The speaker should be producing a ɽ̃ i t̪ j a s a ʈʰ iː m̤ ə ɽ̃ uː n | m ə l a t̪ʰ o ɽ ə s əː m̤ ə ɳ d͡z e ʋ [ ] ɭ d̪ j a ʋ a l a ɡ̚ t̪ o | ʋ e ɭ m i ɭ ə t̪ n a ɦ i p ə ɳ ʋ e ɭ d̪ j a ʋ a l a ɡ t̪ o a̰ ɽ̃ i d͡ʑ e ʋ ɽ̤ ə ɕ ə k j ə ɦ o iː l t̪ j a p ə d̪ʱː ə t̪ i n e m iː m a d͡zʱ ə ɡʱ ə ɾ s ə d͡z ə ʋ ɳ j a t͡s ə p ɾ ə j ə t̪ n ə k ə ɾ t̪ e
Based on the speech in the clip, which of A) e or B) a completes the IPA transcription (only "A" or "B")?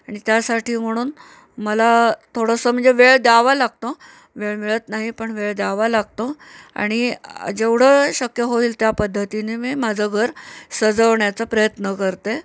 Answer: A